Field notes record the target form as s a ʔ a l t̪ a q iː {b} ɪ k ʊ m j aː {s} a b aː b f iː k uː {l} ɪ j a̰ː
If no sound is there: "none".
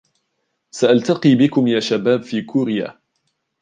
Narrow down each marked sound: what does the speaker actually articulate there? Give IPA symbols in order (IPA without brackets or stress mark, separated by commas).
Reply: b, ʃ, ɾ